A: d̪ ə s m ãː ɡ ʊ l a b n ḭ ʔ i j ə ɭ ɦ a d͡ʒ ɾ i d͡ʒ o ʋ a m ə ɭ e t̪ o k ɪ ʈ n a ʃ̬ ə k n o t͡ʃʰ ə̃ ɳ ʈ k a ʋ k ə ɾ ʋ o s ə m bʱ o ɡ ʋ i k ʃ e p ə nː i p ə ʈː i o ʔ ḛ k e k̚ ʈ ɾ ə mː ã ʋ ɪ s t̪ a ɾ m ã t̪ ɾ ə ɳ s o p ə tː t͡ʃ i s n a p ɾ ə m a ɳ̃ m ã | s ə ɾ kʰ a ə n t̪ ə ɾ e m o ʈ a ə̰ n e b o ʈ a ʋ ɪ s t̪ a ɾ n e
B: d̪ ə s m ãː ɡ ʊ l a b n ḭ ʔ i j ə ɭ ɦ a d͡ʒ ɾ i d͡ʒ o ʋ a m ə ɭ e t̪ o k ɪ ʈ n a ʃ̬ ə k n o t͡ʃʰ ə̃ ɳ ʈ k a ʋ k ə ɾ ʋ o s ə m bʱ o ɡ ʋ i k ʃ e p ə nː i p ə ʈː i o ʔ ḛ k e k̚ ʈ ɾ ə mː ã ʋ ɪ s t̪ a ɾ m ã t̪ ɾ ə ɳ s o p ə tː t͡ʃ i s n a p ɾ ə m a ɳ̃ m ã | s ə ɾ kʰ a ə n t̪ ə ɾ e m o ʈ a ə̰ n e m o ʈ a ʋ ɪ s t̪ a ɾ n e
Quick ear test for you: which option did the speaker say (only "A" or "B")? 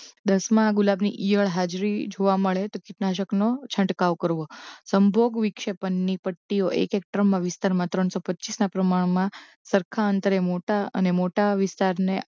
B